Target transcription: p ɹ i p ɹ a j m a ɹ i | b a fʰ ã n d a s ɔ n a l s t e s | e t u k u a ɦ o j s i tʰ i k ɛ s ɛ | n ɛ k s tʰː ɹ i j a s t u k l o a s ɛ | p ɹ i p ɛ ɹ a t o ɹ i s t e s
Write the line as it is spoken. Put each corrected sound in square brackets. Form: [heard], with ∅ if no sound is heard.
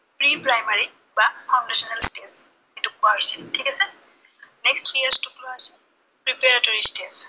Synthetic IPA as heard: p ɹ i p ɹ a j m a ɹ i | b a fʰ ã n d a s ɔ n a l s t e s | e t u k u a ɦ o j s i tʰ i k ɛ s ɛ | n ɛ k s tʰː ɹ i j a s t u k l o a s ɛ | p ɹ i p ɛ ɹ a t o ɹ i s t e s